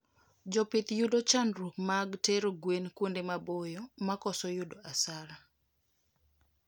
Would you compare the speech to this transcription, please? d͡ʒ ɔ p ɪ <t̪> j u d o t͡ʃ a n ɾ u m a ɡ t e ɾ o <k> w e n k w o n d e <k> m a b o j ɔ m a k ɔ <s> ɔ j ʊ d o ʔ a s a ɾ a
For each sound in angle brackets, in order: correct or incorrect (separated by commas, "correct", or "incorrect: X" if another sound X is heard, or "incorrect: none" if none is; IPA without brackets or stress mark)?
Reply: correct, incorrect: ɡ, incorrect: none, correct